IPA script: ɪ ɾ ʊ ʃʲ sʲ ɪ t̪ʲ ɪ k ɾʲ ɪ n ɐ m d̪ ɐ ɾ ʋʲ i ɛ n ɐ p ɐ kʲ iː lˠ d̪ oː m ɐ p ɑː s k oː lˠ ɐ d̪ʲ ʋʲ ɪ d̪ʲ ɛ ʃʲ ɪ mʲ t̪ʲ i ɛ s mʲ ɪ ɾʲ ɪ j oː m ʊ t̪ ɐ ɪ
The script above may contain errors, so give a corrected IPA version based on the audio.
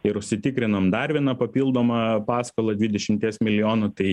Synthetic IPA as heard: ɪ ɾ ʊ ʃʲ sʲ ɪ t̪ʲ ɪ k ɾʲ ɪ n ɐ m d̪ ɐ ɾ ʋʲ i ɛ n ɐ p ɐ pʲ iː lˠ d̪ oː m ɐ p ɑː s k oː lˠ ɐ d̪ʲ ʋʲ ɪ d̪ʲ ɛ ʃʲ ɪ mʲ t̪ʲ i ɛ s mʲ ɪ lʲ ɪ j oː n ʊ t̪ ɐ ɪ